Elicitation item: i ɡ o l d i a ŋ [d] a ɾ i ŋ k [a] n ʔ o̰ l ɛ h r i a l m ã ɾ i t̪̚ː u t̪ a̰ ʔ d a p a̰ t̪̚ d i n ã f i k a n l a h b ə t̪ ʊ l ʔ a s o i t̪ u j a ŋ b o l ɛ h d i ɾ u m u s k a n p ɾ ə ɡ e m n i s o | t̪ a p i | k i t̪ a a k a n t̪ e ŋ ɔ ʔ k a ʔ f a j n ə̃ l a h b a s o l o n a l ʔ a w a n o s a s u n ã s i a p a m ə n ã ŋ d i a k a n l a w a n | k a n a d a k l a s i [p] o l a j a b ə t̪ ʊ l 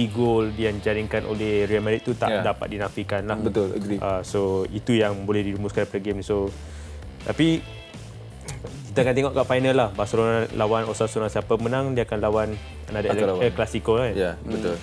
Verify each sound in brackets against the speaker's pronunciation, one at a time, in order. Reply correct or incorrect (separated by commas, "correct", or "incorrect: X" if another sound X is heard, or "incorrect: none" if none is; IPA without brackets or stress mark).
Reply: incorrect: d͡ʒ, correct, incorrect: k